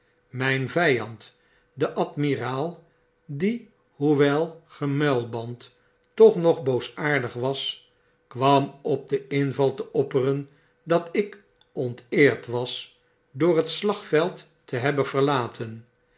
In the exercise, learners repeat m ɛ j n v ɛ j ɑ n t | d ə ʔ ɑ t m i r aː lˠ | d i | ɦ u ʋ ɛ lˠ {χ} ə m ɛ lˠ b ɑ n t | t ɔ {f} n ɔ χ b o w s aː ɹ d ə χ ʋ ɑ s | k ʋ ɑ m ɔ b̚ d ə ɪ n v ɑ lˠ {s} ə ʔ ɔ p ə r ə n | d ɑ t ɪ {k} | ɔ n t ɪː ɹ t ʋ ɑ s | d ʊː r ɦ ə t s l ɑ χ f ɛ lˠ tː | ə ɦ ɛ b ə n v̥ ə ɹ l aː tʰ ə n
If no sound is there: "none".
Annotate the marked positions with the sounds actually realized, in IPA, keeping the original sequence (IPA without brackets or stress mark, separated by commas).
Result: χ, χ, t, k